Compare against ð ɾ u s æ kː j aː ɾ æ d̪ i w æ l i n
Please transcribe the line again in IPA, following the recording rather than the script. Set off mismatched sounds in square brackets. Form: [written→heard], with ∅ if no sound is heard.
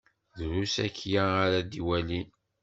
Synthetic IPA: ð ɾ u s æ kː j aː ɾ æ d̪ i w æ l i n